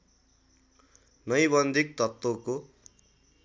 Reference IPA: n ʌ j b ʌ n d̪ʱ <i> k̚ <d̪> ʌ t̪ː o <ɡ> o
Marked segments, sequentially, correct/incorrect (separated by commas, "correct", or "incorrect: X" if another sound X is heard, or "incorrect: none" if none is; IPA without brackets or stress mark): correct, incorrect: t̪, incorrect: k